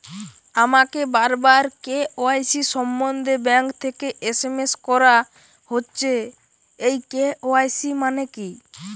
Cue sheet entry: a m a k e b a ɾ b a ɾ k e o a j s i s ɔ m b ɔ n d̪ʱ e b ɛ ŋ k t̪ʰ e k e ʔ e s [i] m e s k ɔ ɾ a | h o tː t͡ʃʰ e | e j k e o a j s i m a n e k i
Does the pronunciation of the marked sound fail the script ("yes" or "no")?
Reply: yes